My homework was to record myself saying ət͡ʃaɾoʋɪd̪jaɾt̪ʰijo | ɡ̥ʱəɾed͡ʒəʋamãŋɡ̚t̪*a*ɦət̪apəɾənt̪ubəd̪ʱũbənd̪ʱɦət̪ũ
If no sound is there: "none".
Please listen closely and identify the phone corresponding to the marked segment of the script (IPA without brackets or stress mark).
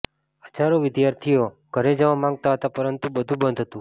a